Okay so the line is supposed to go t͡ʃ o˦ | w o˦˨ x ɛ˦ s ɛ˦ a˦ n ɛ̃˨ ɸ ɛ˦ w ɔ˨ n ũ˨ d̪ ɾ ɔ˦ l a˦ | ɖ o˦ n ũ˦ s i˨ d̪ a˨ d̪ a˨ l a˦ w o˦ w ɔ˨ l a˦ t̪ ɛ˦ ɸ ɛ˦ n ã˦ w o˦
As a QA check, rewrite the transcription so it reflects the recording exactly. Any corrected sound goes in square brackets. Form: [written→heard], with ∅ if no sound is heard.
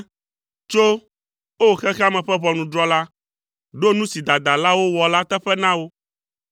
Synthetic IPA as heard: t͡ʃ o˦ | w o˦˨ x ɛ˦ [s→x] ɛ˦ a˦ [n→m] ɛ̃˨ ɸ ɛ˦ [w→β] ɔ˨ n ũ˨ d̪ ɾ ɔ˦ l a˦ | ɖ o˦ n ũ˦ s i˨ d̪ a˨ d̪ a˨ l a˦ w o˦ w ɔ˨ l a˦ t̪ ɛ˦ ɸ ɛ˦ n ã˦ w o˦